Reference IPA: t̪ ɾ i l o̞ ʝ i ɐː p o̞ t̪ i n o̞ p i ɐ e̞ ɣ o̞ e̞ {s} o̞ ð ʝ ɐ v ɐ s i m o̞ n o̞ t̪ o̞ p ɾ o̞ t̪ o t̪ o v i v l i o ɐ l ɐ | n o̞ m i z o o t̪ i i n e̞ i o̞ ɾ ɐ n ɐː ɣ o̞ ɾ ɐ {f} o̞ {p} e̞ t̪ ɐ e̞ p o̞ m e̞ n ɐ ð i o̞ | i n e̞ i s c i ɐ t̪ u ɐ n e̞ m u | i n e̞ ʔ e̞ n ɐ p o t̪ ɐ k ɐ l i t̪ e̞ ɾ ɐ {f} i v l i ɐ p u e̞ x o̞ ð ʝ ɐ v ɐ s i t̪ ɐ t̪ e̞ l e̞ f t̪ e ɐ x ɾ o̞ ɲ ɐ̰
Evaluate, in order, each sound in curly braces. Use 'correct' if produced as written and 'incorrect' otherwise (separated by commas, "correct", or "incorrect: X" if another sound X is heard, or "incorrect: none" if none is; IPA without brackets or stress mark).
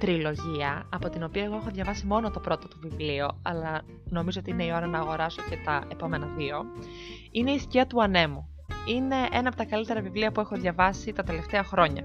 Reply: incorrect: x, incorrect: s, incorrect: c, incorrect: v